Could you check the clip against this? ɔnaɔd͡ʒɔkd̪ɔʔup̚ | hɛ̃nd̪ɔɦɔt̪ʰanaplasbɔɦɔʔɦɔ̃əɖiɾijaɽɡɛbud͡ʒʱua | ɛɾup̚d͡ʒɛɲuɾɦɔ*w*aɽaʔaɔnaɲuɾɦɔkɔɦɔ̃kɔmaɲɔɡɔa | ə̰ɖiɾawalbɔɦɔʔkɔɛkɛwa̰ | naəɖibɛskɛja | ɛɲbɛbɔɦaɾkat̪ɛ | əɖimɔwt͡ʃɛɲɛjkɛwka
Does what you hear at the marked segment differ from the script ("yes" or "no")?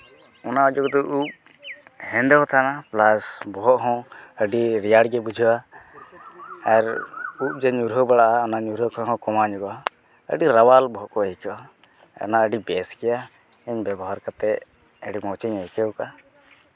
yes